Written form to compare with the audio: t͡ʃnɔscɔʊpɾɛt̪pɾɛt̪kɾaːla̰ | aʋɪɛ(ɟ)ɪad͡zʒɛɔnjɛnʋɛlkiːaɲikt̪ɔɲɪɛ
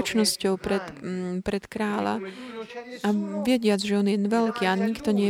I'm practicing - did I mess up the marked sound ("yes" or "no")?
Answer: no